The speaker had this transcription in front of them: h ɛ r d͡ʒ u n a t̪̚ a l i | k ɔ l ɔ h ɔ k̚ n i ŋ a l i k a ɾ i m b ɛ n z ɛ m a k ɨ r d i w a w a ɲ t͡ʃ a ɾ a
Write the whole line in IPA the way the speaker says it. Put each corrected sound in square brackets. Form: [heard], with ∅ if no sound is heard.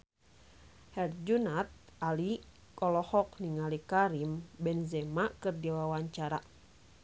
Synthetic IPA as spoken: h ɛ r d͡ʒ u n a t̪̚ a l i | k ɔ l ɔ h ɔ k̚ n i ŋ a l i k a ɾ i m b ɛ n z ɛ m a k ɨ r d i w a w a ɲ t͡ʃ a ɾ a